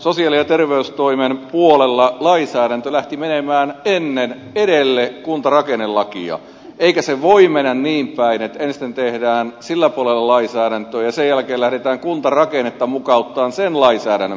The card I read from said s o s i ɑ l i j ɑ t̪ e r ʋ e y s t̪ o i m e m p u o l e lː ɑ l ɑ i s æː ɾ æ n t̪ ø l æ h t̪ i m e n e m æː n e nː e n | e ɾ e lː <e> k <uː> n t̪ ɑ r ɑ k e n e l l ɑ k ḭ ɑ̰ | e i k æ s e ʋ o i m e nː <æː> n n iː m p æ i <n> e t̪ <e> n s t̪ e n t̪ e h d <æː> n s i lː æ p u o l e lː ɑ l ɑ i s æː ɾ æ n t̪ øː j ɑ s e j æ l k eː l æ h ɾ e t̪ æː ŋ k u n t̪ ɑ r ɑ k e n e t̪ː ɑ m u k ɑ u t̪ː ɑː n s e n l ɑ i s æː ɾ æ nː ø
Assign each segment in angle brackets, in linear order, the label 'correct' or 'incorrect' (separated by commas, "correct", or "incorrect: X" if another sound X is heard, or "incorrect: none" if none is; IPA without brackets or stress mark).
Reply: correct, incorrect: u, incorrect: æ, correct, correct, correct